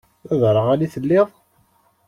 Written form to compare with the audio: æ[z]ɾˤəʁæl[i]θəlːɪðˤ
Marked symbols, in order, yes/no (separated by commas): no, yes